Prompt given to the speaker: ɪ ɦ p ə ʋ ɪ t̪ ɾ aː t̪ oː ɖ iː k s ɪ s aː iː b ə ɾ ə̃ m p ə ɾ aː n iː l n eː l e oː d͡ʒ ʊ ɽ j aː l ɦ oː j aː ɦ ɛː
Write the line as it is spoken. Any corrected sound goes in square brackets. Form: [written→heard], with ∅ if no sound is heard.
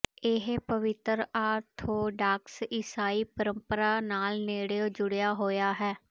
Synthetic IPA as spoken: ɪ ɦ p ə ʋ ɪ t̪ ɾ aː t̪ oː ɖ [iː→aː] k s ɪ s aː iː [b→p] ə ɾ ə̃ m p ə ɾ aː n [iː→aː] l n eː [l→ɽ] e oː d͡ʒ ʊ ɽ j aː [l→∅] ɦ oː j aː ɦ ɛː